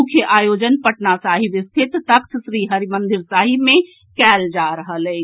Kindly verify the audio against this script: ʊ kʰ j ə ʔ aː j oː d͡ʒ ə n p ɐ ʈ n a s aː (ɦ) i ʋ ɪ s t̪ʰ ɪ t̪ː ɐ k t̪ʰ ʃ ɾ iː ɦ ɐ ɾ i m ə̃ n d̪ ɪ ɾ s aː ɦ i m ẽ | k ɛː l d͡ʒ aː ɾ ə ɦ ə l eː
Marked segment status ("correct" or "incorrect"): correct